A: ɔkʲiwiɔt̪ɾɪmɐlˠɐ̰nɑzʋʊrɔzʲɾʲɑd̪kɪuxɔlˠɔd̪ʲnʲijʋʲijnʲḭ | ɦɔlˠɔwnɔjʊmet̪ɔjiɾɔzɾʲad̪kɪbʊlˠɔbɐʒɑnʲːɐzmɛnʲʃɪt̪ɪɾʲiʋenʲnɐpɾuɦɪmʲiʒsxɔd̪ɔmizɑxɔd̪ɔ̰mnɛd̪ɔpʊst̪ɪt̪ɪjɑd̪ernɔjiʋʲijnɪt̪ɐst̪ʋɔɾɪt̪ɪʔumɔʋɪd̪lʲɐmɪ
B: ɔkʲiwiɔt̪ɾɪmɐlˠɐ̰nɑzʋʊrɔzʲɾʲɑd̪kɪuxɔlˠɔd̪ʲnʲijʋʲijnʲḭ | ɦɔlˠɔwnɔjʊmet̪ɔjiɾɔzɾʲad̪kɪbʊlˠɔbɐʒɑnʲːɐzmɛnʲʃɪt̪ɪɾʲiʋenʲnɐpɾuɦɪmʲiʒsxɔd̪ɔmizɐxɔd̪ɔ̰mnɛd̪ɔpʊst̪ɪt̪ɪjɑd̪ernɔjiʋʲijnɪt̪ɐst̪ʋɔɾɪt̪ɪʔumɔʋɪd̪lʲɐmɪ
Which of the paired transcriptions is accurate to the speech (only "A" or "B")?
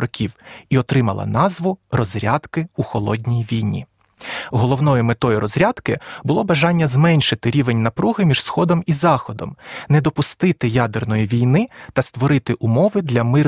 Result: A